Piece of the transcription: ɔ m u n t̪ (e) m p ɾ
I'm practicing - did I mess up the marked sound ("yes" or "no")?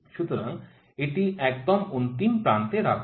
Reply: yes